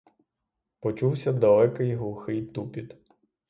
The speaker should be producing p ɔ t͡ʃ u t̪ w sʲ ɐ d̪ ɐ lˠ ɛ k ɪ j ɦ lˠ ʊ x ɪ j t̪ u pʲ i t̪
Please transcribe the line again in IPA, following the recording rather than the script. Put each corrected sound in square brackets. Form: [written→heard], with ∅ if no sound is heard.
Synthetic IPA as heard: p ɔ t͡ʃ u [t̪→∅] w sʲ ɐ d̪ ɐ lˠ ɛ k ɪ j ɦ lˠ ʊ x ɪ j t̪ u pʲ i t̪